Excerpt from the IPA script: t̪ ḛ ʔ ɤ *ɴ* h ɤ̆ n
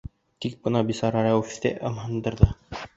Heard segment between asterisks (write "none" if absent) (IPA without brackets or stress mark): m